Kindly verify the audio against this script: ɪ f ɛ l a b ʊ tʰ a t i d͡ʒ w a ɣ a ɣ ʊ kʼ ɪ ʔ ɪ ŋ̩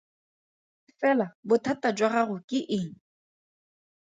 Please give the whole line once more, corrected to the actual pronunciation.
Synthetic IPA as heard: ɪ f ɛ l a b ʊ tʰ a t a d͡ʒ w a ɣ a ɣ ʊ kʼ ɪ ʔ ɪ ŋ̩